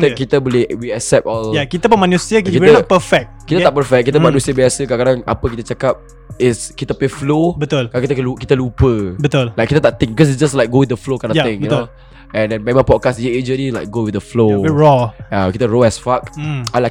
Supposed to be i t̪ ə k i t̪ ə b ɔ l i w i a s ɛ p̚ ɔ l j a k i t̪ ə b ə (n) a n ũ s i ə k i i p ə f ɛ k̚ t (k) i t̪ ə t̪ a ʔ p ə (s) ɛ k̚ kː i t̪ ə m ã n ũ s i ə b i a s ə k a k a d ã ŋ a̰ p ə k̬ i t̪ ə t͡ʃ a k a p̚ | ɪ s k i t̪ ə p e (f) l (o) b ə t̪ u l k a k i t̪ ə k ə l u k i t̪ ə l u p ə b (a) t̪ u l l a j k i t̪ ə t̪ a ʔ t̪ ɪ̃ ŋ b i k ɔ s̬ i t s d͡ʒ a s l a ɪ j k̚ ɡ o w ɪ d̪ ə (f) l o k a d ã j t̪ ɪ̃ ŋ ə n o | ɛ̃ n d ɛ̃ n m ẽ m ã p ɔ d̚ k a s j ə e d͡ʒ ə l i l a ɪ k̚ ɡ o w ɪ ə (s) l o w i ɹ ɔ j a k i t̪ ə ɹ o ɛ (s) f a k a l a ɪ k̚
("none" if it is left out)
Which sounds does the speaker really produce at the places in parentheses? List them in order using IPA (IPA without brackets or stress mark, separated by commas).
m, k, f, f, o, ə, f, f, s